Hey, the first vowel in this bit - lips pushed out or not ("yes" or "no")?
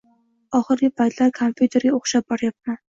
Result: yes